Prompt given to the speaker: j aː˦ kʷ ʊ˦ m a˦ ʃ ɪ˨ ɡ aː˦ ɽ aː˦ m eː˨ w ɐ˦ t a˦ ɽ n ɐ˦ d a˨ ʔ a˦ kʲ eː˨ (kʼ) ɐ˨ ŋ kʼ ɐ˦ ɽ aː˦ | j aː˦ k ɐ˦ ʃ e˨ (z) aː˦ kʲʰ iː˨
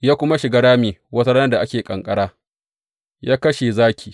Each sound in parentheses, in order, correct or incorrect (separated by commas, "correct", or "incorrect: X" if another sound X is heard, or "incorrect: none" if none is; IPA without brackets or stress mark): correct, correct